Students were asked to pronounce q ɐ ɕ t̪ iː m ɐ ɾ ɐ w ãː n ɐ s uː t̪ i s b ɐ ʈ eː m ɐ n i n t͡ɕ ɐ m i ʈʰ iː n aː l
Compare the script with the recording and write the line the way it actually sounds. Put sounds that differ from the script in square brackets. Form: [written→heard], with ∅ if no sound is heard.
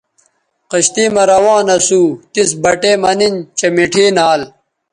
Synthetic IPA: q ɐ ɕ t̪ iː m ɐ ɾ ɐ w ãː n ɐ s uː t̪ i s b ɐ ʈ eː m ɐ n i n t͡ɕ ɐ m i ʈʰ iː n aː l